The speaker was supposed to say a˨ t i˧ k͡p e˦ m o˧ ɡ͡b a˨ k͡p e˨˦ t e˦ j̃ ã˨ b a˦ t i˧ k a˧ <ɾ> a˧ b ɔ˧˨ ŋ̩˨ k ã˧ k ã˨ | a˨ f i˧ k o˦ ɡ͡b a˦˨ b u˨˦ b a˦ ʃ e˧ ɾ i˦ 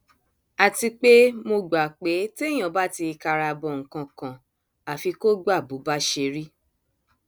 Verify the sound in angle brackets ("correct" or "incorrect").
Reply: correct